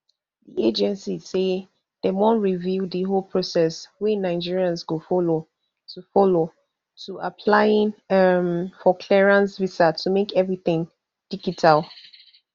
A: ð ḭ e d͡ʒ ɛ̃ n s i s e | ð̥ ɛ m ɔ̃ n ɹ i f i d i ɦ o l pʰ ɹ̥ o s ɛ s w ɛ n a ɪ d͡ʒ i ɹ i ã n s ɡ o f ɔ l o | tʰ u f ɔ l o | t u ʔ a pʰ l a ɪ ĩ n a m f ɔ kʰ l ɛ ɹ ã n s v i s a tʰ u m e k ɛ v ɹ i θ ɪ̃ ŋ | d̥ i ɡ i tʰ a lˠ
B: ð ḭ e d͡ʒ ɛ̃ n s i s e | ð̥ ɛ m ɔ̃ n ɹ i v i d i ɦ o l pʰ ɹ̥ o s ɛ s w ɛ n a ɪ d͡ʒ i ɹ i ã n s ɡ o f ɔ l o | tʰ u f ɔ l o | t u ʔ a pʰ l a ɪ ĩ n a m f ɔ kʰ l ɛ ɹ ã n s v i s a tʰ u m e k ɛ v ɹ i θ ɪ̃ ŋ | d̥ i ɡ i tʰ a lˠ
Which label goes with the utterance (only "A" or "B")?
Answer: B